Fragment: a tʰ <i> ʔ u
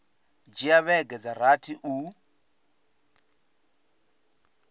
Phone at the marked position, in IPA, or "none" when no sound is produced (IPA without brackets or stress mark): i